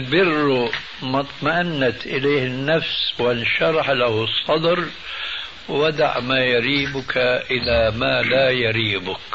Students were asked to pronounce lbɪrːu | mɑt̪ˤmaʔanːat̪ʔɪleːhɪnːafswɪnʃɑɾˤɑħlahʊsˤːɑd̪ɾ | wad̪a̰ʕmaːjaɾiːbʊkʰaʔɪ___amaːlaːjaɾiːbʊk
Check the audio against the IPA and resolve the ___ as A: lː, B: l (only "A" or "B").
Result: B